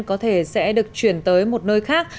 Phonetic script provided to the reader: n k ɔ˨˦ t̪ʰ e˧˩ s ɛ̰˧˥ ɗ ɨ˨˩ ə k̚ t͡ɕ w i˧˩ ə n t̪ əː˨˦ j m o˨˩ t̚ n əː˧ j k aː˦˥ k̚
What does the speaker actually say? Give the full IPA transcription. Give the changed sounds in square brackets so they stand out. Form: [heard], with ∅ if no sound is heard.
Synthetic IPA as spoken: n k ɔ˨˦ t̪ʰ e˧˩ s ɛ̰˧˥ ɗ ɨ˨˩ ə k̚ t͡ɕ w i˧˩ ə n t̪ əː˨˦ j m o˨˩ t̚ n əː˧ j [x] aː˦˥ k̚